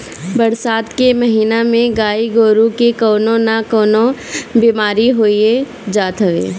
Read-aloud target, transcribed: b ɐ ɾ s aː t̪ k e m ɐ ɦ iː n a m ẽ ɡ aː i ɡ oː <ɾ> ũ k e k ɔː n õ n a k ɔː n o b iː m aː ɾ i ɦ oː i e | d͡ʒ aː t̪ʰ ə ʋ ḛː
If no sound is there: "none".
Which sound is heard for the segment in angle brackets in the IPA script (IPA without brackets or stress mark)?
ɾ